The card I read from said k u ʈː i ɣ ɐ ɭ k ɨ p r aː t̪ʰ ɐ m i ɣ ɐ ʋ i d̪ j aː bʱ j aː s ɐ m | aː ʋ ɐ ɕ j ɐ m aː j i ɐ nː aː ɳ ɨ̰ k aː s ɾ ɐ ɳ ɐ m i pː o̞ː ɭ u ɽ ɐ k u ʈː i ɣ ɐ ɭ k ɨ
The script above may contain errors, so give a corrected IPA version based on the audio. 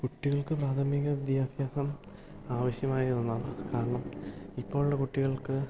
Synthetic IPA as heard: k u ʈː i ɣ ɐ ɭ k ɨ p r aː t̪ʰ ɐ m i ɣ ɐ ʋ i d̪ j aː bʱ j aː s ɐ m | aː ʋ ɐ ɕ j ɐ m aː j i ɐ nː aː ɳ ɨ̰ k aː ɾ ɐ ɳ ɐ m i pː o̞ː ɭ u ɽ ɐ k u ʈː i ɣ ɐ ɭ k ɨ